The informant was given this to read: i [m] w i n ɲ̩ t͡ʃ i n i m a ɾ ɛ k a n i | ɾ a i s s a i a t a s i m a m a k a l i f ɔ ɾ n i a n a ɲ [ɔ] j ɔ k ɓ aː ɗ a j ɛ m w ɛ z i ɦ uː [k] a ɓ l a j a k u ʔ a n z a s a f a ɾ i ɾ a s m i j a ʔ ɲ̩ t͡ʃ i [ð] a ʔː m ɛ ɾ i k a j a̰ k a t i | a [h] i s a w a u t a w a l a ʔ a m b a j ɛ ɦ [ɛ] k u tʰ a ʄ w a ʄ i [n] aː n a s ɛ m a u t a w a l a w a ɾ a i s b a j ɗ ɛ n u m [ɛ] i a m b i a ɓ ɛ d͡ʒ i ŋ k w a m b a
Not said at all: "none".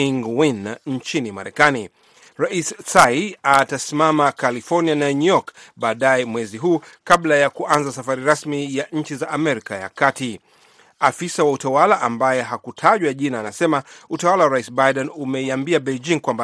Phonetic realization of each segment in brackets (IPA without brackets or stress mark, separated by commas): ŋ, u, k, z, f, a, n, ɛ